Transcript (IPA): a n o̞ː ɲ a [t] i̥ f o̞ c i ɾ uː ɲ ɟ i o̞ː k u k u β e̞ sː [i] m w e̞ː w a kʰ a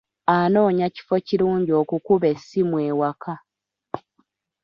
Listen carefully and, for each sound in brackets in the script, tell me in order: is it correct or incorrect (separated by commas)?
incorrect, correct